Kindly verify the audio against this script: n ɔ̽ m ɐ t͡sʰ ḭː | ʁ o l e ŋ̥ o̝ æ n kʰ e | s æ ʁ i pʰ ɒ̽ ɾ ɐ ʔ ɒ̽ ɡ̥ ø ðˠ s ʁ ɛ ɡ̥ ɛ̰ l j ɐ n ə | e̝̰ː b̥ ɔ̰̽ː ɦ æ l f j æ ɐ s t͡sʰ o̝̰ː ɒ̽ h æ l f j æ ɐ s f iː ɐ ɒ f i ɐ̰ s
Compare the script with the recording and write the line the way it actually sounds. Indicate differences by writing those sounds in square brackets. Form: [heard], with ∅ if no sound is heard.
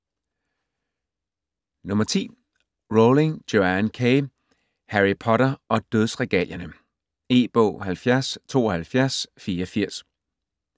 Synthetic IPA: n ɔ̽ m ɐ t͡sʰ ḭː | ʁ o l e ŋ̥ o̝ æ n kʰ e | [h] æ ʁ i pʰ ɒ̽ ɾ ɐ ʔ ɒ̽ [d̥] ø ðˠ s ʁ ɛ ɡ̥ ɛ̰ l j ɐ n ə | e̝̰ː b̥ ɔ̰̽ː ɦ æ l f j æ ɐ s t͡sʰ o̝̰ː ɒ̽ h æ l f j æ ɐ s f iː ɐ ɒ f i ɐ̰ s